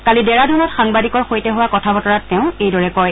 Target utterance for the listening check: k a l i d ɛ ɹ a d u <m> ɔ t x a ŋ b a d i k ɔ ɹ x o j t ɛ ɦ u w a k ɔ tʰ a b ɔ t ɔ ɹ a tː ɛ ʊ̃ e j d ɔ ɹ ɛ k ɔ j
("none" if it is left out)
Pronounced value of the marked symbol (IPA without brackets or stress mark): n